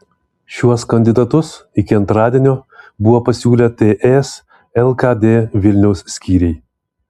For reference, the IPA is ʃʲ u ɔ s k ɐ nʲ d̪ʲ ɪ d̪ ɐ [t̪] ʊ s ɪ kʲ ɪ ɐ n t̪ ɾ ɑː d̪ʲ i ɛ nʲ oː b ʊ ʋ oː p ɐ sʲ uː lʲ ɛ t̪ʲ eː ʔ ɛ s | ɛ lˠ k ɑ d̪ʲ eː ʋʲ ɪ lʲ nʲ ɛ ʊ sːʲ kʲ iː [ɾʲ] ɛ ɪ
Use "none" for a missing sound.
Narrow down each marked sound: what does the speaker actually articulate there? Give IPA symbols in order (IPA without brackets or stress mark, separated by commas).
t̪, ɾʲ